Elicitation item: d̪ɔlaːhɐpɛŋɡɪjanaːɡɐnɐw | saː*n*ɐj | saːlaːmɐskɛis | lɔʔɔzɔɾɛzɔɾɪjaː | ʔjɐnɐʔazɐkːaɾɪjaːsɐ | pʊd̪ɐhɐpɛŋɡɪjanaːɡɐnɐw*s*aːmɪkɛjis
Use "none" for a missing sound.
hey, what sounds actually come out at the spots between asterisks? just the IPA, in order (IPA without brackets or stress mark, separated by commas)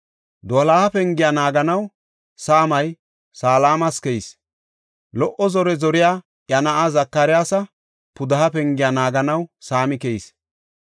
m, s